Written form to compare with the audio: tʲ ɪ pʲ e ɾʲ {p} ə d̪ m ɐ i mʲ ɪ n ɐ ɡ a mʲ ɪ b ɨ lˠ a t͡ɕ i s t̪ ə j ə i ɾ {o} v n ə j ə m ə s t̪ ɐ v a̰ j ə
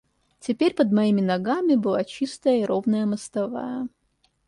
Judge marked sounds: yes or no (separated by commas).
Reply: yes, yes